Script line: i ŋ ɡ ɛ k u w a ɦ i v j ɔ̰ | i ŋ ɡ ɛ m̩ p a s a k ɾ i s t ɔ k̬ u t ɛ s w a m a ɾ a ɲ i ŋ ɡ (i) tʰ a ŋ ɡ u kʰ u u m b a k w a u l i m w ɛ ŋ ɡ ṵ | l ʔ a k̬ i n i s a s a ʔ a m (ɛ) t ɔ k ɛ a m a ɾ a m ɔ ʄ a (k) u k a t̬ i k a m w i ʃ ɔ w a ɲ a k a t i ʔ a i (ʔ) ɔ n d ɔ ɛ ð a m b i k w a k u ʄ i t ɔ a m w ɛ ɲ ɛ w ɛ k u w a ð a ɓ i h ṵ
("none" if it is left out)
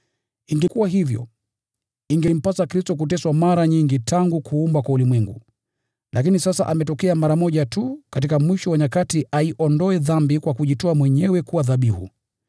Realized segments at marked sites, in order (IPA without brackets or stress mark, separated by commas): i, ɛ, t, ʔ